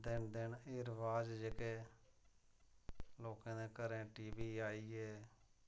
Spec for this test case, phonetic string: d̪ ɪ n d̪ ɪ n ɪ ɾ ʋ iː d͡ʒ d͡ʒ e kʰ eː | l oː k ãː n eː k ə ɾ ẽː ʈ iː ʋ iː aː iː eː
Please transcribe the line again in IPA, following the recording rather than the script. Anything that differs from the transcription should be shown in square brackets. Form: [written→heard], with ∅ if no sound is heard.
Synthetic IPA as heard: d̪ ɪ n d̪ ɪ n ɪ ɾ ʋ [iː→aː] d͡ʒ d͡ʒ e [kʰ→k] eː | l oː k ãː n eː k ə ɾ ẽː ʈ iː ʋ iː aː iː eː